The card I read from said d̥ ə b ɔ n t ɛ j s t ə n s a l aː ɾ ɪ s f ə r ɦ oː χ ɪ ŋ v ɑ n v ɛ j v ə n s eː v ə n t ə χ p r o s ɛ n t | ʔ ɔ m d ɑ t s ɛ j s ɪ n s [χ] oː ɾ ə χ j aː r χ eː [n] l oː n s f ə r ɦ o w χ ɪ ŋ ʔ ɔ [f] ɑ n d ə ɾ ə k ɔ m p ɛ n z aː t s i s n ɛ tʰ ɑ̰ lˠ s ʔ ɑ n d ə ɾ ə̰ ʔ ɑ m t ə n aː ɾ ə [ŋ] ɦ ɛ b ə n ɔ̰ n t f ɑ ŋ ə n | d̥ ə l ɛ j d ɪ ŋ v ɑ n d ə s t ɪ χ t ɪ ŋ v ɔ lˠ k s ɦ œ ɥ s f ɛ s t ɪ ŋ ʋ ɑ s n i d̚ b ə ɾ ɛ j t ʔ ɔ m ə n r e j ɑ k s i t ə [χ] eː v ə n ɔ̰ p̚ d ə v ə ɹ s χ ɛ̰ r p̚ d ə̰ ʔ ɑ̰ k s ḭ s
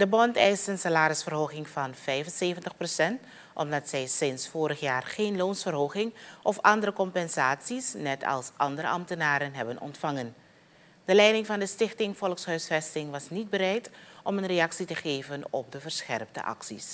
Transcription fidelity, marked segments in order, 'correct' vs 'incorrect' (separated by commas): incorrect, correct, correct, incorrect, correct